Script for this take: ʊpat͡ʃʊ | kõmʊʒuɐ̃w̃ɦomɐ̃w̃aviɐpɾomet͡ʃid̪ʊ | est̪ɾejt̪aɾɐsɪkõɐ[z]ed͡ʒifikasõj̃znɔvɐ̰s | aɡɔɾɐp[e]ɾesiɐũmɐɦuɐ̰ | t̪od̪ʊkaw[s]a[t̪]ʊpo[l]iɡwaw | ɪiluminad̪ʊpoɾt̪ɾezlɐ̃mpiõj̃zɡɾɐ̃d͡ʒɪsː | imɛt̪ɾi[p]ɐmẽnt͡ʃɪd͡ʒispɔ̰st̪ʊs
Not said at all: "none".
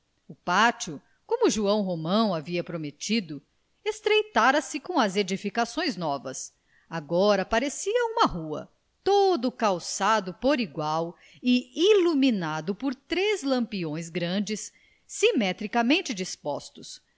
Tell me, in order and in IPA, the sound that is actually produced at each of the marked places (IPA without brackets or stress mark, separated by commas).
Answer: z, a, s, d̪, ɾ, k